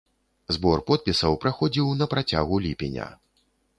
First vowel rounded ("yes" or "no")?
yes